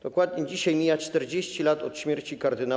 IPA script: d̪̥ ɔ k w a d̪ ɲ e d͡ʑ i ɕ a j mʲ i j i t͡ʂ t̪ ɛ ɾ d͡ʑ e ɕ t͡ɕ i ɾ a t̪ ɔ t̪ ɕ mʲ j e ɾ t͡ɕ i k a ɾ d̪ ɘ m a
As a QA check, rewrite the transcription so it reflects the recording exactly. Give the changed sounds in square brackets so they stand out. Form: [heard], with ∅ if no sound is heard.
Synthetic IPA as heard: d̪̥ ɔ k w a d̪ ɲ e d͡ʑ i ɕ a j mʲ i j [a] t͡ʂ t̪ ɛ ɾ d͡ʑ e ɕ t͡ɕ i [l] a t̪ ɔ t̪ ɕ mʲ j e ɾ t͡ɕ i k a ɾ d̪ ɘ [n] a